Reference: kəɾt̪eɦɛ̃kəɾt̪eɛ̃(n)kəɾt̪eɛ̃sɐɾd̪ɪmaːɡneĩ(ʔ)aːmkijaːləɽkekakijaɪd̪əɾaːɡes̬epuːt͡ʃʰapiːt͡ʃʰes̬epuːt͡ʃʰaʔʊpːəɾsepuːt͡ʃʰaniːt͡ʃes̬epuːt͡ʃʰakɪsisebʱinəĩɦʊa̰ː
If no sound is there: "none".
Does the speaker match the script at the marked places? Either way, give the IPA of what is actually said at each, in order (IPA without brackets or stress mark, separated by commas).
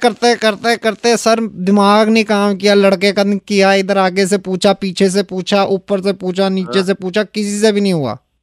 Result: none, k